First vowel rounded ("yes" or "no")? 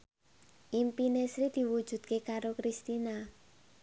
no